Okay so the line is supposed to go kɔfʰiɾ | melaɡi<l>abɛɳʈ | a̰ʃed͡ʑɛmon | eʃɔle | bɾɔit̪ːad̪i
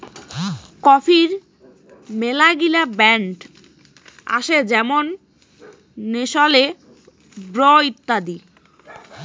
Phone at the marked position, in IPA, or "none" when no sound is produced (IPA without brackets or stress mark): l